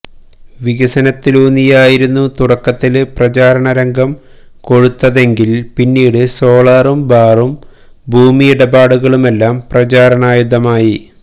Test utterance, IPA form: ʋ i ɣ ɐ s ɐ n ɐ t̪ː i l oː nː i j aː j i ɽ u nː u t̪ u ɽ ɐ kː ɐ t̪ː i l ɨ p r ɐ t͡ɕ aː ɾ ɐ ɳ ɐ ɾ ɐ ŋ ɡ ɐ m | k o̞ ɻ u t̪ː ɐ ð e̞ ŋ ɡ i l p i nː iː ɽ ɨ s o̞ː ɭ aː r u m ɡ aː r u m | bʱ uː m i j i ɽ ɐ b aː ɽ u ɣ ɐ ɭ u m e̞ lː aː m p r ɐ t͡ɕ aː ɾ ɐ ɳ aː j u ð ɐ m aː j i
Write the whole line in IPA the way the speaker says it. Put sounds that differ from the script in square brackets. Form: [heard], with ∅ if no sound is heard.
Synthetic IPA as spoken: ʋ i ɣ ɐ s ɐ n ɐ t̪ː i l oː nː i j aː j i [ɾ] u nː u t̪ u ɽ ɐ kː ɐ t̪ː i l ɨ p r ɐ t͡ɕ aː ɾ ɐ ɳ ɐ ɾ ɐ ŋ ɡ ɐ m | k o̞ ɻ u t̪ː ɐ ð e̞ ŋ ɡ i l p i nː iː ɽ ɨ s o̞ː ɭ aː r u m [b] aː r u m | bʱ uː m i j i ɽ ɐ b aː ɽ u ɣ ɐ ɭ u m e̞ lː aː m p r ɐ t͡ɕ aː ɾ ɐ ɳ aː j u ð ɐ m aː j i